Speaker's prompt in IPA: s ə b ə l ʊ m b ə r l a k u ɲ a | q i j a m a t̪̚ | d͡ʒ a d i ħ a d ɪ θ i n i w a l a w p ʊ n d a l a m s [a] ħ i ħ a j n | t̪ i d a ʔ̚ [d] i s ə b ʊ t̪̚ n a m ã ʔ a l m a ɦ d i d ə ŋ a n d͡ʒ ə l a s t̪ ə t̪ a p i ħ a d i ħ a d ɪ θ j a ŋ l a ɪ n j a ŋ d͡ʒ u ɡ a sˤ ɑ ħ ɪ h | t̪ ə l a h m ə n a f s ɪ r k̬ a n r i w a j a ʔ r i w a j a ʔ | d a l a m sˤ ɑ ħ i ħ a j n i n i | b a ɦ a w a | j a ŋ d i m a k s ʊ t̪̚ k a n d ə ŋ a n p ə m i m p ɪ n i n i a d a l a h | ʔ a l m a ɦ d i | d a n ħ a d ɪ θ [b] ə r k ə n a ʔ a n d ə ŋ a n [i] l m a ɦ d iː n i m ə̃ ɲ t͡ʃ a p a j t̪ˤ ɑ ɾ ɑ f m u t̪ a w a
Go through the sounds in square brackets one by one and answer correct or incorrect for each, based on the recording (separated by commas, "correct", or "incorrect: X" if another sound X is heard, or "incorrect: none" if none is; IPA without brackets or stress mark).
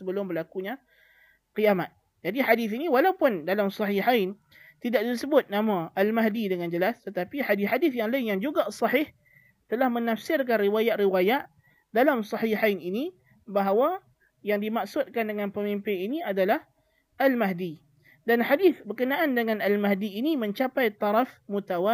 incorrect: ɑ, correct, correct, incorrect: a